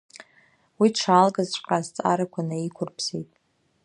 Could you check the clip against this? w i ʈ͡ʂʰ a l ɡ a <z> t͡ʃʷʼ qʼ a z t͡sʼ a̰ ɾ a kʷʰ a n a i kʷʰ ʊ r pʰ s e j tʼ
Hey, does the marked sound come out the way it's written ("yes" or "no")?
yes